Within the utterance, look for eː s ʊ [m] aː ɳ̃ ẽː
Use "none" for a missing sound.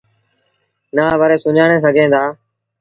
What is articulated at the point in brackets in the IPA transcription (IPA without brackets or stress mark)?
ɲ